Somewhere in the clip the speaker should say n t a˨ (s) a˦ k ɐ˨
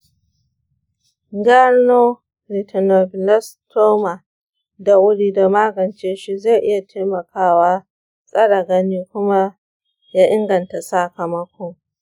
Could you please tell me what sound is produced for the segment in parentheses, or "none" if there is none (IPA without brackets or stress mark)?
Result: s